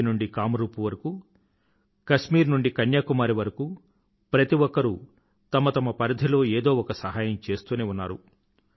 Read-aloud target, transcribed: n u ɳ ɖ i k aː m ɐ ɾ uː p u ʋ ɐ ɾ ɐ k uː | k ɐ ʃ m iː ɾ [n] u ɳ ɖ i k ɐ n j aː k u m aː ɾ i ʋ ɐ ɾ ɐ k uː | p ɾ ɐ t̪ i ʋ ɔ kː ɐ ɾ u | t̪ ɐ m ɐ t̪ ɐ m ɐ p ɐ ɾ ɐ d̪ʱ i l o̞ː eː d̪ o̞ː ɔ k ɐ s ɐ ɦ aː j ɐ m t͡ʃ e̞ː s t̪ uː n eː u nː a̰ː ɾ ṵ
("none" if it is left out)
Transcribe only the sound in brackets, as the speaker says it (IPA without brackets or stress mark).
n